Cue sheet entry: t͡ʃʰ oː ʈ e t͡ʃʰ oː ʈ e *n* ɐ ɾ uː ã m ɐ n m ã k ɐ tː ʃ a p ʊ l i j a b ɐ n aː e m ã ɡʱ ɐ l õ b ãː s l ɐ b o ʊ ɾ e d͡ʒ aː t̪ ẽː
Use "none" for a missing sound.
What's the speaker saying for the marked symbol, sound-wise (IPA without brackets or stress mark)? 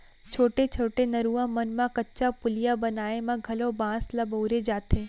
n